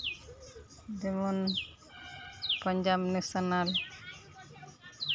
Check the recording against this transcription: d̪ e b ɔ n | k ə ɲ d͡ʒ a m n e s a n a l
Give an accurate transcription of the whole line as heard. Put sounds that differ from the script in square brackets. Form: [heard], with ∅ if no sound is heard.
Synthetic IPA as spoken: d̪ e [m] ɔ n | [p] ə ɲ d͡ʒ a [b] n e s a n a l